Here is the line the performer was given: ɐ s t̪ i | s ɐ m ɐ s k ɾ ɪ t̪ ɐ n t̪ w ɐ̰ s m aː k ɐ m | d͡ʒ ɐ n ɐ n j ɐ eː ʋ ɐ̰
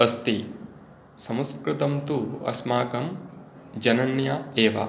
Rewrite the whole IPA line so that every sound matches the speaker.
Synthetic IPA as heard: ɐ s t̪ i | s ɐ m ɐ s k ɾ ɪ t̪ ɐ m t̪ u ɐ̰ s m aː k ɐ m | d͡ʒ ɐ n ɐ n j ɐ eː ʋ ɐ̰